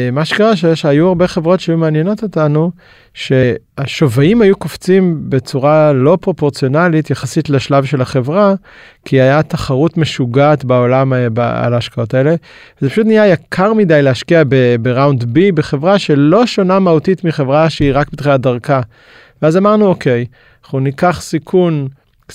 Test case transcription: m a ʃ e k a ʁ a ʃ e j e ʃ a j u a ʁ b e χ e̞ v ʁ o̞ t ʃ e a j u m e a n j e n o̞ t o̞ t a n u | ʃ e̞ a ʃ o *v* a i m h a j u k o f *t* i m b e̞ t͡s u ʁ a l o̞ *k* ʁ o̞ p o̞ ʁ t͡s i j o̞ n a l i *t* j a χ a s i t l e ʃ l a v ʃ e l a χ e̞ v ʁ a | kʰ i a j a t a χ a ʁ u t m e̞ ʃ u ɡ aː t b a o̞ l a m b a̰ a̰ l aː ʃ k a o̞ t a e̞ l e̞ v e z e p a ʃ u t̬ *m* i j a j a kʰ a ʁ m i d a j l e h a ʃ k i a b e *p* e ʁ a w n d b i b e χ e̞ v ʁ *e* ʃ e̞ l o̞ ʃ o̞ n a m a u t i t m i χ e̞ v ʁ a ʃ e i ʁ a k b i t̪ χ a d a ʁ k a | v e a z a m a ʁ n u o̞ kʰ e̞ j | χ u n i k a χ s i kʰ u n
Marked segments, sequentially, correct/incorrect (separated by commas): correct, incorrect, incorrect, correct, incorrect, incorrect, incorrect